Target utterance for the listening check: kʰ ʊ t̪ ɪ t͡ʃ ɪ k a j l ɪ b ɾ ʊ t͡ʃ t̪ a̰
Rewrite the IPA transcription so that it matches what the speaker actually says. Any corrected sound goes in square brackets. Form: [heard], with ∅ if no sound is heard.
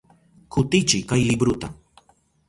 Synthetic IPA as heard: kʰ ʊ t̪ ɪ t͡ʃ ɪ k a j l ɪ b ɾ ʊ [∅] t̪ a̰